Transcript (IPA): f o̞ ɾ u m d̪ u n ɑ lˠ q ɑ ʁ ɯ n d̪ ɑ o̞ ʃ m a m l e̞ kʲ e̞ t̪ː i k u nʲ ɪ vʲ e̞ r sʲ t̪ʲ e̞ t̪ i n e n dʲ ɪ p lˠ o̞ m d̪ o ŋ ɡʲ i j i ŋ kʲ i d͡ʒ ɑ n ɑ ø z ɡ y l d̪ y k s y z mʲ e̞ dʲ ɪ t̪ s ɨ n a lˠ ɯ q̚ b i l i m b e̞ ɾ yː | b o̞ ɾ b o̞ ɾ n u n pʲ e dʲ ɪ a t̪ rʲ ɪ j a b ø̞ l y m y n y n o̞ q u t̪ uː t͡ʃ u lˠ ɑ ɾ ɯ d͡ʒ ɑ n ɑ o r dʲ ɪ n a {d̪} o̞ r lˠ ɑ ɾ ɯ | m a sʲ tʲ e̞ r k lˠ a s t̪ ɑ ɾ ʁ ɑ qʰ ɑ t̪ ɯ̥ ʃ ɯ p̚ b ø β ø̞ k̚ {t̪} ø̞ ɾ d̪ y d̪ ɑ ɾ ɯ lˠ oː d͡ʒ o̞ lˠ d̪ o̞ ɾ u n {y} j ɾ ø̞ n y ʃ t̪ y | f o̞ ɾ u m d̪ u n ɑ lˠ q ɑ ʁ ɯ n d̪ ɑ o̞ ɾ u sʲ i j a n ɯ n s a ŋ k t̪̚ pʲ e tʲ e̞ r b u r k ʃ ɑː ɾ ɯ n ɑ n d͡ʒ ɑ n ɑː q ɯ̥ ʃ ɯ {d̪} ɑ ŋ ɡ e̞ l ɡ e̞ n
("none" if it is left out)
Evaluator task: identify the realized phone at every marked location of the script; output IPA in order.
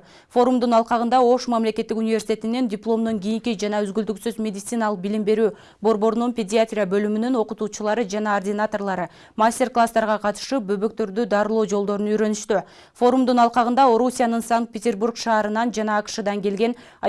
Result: t̪, t̪, y, d̪

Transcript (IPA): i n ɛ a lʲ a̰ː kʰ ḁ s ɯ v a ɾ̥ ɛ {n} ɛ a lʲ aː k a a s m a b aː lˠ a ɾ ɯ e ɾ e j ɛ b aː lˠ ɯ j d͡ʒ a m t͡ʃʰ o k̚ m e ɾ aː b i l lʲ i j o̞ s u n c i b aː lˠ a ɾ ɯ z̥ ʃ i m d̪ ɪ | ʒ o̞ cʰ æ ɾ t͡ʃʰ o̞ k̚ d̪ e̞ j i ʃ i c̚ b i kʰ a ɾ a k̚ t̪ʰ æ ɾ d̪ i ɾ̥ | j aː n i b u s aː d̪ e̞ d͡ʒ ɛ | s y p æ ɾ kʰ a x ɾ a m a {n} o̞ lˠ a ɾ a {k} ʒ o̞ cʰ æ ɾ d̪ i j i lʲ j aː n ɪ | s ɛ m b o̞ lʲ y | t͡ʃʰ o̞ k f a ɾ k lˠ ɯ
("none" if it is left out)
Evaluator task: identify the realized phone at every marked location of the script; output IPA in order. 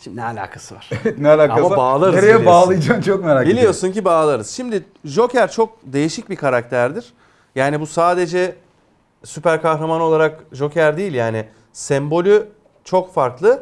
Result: n, n, k

